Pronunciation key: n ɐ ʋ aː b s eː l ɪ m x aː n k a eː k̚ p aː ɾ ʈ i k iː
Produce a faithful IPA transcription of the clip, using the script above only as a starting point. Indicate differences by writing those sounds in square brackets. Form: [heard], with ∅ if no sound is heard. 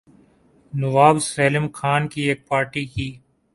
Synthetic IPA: n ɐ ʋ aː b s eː l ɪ m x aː n k [i] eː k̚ p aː ɾ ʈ i k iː